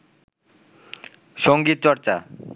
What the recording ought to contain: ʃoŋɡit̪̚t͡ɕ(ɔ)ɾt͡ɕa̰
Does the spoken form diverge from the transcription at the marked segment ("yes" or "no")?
no